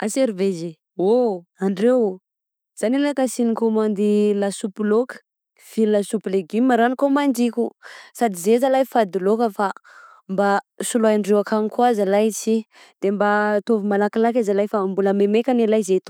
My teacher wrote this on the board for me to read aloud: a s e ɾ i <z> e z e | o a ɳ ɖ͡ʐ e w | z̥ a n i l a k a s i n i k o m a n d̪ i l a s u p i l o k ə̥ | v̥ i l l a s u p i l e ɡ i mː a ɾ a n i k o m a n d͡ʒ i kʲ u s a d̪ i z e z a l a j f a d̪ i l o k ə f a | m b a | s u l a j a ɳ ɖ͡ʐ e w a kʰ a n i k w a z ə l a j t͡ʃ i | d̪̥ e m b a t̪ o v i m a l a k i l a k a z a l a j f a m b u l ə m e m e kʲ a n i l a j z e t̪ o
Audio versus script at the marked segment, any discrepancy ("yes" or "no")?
yes